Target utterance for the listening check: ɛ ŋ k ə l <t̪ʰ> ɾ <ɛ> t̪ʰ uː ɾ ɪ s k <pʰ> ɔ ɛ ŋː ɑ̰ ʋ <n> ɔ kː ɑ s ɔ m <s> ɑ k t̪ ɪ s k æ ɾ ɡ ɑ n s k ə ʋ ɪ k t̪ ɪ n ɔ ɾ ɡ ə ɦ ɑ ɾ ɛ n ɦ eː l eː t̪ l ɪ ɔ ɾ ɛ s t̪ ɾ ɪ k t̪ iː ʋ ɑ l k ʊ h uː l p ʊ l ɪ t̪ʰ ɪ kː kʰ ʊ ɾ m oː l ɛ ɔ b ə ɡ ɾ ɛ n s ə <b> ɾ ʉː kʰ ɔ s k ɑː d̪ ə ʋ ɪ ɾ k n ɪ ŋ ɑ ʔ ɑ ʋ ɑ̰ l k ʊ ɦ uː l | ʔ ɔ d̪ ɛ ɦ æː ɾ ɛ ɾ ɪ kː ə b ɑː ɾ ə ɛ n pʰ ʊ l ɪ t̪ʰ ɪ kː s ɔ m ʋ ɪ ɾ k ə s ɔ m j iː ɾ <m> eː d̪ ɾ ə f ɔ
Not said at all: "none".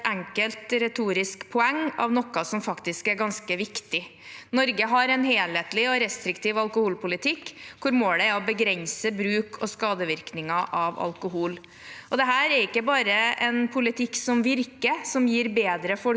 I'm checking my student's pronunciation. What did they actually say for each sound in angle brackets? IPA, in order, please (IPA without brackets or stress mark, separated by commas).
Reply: t̪, ɛ, pʰ, n, f, b, b